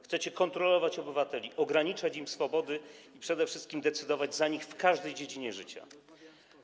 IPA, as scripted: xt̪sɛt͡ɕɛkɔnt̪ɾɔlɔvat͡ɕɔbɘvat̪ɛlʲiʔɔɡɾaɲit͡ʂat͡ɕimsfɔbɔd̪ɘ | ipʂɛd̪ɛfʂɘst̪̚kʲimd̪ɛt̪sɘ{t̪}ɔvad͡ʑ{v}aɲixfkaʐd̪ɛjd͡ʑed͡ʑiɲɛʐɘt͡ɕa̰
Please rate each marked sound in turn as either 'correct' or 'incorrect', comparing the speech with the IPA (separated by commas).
incorrect, incorrect